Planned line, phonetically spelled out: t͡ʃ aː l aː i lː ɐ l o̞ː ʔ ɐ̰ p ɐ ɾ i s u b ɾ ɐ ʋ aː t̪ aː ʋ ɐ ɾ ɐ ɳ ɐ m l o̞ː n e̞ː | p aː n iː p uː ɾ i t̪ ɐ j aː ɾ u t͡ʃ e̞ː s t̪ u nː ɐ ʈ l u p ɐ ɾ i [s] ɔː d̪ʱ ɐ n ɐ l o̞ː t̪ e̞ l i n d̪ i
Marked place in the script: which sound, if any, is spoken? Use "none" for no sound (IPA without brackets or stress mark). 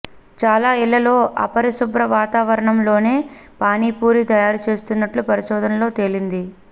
ʃ